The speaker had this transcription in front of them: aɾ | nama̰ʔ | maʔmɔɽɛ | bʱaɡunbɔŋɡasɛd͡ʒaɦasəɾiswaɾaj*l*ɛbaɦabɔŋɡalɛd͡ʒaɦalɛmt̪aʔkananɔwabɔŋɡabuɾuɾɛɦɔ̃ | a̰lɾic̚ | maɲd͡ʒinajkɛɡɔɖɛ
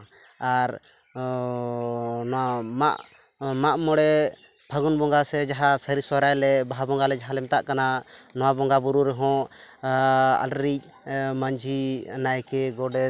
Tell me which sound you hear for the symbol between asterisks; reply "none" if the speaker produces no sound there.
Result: l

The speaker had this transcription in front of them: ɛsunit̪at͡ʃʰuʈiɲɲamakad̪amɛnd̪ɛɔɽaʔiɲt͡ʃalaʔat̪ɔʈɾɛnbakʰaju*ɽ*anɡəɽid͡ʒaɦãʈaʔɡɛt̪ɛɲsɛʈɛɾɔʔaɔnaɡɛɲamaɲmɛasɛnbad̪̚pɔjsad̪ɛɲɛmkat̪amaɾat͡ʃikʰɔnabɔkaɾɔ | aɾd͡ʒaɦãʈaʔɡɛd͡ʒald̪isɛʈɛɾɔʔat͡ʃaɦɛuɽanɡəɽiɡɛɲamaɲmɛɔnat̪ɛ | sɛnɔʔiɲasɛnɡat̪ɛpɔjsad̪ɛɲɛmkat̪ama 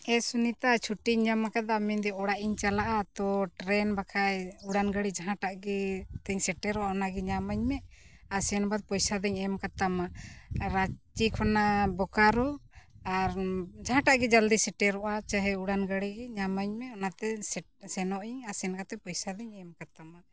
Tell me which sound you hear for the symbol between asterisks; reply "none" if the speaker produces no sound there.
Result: ɽ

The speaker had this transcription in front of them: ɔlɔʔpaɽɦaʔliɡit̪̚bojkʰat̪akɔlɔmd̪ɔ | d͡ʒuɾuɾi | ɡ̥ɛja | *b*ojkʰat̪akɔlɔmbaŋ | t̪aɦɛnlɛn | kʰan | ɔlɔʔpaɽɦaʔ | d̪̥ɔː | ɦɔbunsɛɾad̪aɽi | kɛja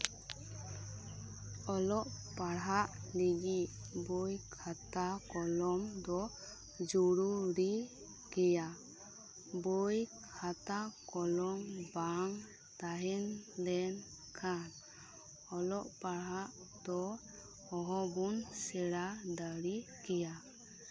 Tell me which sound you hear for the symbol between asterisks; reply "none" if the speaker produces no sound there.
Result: b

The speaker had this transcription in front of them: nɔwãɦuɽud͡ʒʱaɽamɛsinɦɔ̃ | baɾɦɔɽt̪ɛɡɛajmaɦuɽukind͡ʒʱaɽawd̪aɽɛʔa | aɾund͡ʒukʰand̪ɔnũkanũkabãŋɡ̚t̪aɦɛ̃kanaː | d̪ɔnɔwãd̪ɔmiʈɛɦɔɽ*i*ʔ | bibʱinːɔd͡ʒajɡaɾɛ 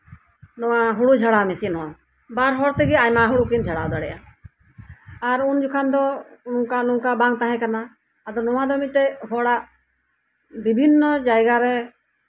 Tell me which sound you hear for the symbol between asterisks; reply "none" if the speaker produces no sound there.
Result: a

